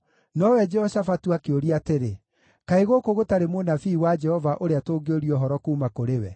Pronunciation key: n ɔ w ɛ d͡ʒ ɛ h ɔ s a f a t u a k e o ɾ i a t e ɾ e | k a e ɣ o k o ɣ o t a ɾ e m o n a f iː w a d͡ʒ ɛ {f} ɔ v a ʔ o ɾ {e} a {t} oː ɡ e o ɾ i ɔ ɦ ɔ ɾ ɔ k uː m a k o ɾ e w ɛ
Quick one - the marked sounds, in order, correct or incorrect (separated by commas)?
incorrect, correct, correct